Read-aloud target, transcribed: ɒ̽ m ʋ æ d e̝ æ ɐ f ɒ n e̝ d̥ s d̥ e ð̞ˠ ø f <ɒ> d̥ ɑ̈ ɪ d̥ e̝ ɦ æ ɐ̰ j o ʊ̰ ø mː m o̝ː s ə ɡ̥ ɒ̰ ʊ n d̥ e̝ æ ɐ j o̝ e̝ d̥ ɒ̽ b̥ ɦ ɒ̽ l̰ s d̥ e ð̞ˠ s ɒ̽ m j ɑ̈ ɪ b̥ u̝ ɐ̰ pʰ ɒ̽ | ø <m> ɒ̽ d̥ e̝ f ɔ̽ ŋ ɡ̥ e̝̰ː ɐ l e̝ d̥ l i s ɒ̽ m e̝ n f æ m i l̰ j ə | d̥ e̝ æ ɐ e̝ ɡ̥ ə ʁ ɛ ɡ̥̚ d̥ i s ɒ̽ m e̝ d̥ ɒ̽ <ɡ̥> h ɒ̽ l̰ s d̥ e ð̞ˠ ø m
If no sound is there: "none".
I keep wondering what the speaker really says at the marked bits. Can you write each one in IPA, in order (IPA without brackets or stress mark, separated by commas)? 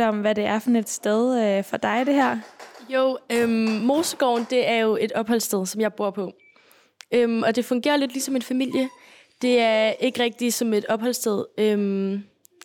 ɒ, m, b̥